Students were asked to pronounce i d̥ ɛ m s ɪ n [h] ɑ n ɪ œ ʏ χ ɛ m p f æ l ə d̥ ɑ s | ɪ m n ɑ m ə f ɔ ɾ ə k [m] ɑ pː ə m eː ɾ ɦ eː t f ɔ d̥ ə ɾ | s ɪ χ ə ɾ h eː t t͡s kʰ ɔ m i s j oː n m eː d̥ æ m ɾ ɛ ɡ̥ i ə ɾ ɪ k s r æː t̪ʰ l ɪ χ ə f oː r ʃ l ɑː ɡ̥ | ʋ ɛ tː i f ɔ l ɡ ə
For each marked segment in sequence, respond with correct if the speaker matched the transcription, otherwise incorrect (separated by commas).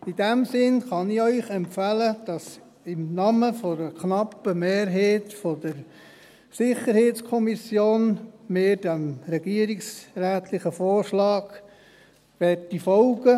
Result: incorrect, incorrect